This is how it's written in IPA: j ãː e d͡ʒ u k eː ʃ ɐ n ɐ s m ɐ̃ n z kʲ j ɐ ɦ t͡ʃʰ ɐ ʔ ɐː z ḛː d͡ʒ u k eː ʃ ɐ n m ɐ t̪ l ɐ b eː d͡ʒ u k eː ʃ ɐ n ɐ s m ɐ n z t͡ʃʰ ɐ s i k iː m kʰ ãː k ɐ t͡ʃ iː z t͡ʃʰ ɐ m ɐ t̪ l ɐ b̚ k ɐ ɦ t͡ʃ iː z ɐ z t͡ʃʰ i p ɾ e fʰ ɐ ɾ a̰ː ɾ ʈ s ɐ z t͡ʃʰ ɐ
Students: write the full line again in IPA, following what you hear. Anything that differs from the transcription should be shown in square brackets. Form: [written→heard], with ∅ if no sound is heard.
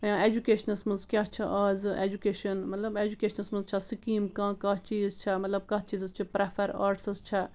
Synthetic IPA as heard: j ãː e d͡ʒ u k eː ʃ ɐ n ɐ s m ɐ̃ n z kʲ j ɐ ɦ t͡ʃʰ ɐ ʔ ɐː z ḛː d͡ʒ u k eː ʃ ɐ n m ɐ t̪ l ɐ b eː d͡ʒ u k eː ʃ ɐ n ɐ s m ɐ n z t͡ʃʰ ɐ s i k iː m [kʰ→k] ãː k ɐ t͡ʃ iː z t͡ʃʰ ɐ m ɐ t̪ l ɐ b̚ k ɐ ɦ t͡ʃ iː z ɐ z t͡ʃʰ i p ɾ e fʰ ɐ ɾ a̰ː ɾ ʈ s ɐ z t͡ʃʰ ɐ

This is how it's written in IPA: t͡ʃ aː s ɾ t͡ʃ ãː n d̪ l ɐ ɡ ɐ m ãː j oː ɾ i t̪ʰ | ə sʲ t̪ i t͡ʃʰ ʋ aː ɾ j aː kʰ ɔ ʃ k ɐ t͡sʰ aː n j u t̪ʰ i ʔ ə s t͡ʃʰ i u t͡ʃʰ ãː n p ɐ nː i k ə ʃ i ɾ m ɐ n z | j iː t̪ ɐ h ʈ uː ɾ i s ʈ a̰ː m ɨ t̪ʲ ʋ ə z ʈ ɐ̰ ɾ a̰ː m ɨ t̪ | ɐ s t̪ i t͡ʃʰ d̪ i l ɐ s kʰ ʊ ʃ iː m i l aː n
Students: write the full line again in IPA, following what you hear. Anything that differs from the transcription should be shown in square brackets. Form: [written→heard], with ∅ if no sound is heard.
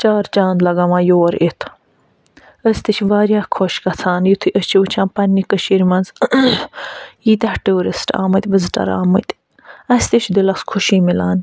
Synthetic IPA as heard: t͡ʃ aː [s→∅] ɾ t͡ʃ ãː n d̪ l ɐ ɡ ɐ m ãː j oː ɾ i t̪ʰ | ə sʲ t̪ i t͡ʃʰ ʋ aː ɾ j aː kʰ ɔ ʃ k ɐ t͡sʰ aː n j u t̪ʰ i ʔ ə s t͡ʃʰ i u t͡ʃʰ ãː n p ɐ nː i k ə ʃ i ɾ m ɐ n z | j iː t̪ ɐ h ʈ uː ɾ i s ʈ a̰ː m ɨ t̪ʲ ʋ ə z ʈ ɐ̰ ɾ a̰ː m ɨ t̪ | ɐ s t̪ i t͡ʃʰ d̪ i l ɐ s kʰ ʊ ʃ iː m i l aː n

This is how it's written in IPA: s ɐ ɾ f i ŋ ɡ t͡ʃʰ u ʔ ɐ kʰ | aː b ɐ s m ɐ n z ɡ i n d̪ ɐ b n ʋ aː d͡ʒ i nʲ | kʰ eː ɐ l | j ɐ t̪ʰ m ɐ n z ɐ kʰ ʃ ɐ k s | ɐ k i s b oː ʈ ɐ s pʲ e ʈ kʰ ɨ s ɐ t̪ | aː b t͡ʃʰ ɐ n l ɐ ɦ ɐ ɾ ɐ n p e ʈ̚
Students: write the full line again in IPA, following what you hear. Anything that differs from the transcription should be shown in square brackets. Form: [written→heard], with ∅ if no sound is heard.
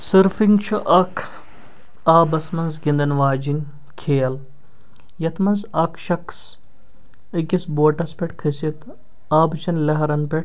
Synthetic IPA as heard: s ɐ ɾ f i ŋ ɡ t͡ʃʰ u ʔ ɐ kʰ | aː b ɐ s m ɐ n z ɡ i n d̪ ɐ [b→∅] n ʋ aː d͡ʒ i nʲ | kʰ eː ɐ l | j ɐ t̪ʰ m ɐ n z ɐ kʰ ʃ ɐ k s | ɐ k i s b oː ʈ ɐ s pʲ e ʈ kʰ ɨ s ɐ t̪ | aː b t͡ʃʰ ɐ n l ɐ ɦ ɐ ɾ ɐ n p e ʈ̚

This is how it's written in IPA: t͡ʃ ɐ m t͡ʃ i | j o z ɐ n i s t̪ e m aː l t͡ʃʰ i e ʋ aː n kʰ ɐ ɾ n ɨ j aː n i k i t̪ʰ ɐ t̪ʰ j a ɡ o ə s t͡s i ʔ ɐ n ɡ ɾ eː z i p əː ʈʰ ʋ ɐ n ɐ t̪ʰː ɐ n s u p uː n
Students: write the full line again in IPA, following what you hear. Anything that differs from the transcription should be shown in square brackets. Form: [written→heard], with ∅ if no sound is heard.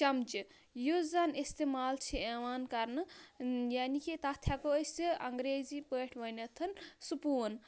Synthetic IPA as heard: t͡ʃ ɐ m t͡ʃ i | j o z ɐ n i s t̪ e m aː l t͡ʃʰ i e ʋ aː n [kʰ→k] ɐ ɾ n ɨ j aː n i k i [t̪ʰ→t̪] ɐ t̪ʰ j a [ɡ→k] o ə s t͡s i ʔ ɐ [n→ŋ] ɡ ɾ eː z i p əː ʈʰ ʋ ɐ n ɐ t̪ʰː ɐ n s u p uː n

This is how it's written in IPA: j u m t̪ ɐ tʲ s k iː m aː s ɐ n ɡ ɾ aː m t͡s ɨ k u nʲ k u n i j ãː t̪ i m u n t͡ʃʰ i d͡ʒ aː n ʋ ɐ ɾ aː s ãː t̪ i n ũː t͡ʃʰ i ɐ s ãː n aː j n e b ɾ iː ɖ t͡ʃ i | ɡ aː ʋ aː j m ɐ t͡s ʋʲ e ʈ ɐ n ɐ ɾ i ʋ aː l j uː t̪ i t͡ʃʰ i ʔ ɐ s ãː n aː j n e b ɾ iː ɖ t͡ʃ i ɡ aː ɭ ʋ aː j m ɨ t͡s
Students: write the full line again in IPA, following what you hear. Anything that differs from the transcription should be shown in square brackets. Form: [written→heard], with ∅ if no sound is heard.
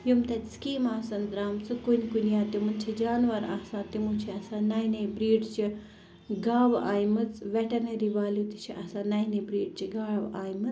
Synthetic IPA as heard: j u m t̪ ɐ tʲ s k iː m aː s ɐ n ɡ ɾ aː m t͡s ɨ k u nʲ k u n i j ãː t̪ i m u n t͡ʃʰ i d͡ʒ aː n ʋ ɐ ɾ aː s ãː t̪ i [n→m] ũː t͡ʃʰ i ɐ s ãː n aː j n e b ɾ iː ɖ t͡ʃ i | ɡ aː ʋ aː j m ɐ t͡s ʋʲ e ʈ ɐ n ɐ ɾ i ʋ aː l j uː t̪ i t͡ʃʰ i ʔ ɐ s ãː n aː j n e b ɾ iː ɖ t͡ʃ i ɡ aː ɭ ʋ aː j m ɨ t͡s

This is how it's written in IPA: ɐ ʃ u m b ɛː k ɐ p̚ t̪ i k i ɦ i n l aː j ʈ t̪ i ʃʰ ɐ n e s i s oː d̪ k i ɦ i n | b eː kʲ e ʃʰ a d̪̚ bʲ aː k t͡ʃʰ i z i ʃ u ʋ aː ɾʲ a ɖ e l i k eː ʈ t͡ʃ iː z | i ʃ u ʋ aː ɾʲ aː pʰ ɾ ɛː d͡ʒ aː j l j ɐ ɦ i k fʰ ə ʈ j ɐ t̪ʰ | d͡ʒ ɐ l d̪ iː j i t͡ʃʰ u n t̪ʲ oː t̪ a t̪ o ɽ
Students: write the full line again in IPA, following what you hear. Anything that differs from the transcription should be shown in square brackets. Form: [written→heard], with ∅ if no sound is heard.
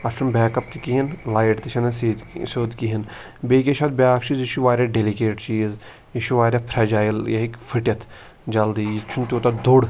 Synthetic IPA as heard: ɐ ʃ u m b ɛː k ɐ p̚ t̪ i k i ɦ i n l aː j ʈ t̪ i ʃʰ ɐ n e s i s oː d̪ k i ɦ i n | b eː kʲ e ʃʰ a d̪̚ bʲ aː k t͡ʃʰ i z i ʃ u ʋ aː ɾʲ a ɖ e l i k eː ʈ t͡ʃ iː z | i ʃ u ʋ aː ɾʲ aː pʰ ɾ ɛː d͡ʒ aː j l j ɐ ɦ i k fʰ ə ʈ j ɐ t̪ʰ | d͡ʒ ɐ l d̪ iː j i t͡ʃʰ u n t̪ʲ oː t̪ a [t̪→d̪] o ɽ

